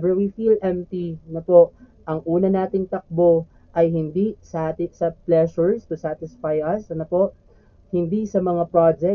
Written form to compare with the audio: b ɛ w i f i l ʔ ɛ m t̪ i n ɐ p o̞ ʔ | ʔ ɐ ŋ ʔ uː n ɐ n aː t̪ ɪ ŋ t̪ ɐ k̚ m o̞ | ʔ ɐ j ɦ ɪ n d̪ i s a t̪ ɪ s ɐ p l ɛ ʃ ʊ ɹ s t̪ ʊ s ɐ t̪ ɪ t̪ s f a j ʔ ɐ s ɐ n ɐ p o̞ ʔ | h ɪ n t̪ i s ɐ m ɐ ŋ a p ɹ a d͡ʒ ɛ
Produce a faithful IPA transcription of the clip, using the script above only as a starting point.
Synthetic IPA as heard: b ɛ w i f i l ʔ ɛ m t̪ i n ɐ p o̞ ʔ | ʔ ɐ ŋ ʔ uː n ɐ n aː t̪ ɪ ŋ t̪ ɐ k̚ b o̞ | ʔ ɐ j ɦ ɪ n d̪ i s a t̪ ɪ s ɐ p l ɛ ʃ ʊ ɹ s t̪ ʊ s a t̪ ɪ s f a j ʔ ɐ s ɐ n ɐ p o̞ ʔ | h ɪ n d̪ i s ɐ m ɐ ŋ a p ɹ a d͡ʒ ɛ